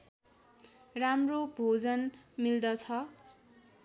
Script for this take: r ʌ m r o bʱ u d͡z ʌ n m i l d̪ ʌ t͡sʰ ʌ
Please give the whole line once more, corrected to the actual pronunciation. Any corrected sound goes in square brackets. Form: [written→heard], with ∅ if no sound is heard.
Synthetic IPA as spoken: r [ʌ→a] m r o bʱ [u→o] d͡z ʌ n m i l d̪ ʌ t͡sʰ ʌ